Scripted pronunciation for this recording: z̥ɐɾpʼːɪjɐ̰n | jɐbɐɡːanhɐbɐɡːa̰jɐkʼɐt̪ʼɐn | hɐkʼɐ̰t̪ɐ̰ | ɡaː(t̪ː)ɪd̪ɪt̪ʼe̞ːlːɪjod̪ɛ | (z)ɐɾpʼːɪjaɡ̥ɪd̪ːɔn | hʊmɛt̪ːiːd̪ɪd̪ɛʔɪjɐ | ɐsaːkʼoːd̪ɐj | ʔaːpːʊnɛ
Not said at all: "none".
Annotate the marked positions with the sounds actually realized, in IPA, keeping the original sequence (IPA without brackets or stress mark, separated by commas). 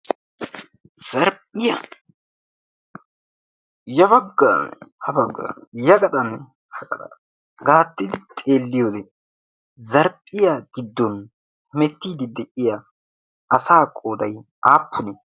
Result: t̪ː, z